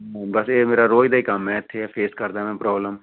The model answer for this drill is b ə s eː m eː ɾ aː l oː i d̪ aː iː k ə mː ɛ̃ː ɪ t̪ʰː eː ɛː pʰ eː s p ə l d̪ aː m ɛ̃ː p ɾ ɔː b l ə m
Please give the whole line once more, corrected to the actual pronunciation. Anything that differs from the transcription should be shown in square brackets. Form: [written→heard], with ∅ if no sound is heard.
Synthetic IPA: b ə s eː m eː ɾ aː [l→ɾ] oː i d̪ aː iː k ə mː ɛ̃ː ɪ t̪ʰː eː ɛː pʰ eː s [p→k] ə [l→ɾ] d̪ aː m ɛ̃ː p ɾ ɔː b l ə m